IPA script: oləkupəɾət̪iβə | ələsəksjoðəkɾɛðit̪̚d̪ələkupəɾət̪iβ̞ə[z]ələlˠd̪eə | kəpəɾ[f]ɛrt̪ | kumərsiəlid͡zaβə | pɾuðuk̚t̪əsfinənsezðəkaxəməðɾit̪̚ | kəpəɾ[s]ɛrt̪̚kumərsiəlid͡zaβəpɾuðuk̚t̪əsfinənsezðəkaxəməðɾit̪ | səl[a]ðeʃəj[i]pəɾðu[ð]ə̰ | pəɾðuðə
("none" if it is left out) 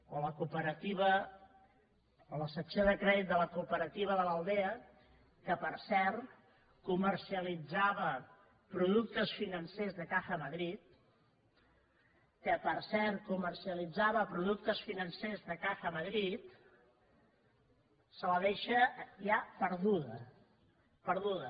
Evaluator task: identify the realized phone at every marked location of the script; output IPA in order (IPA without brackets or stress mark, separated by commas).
ð, s, s, ə, a, ð